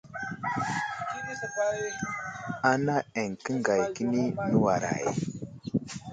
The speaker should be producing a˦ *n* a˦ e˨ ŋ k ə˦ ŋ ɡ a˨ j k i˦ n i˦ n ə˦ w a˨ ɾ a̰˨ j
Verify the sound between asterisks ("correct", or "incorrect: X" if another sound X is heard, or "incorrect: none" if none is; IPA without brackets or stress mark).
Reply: correct